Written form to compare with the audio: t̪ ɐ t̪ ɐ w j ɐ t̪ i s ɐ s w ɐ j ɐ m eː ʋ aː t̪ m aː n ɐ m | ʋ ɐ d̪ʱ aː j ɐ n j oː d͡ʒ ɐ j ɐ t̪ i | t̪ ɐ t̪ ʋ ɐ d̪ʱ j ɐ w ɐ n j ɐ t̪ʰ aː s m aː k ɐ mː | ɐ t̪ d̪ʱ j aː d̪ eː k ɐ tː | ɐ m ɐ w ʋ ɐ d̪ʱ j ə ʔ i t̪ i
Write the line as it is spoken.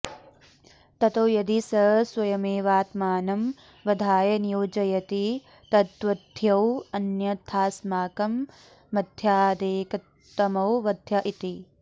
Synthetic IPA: t̪ ɐ t̪ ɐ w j ɐ d̪ i s ɐ s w ɐ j ɐ m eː ʋ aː t̪ m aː n ɐ m | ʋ ɐ d̪ʱ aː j ɐ n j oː d͡ʒ ɐ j ɐ t̪ i | t̪ ɐ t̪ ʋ ɐ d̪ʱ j ɐ w ɐ n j ɐ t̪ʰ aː s m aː k ɐ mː | ɐ d̪ʱ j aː d̪ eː k ɐ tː | ɐ m ɐ w ʋ ɐ d̪ʱ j ɐ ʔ i t̪ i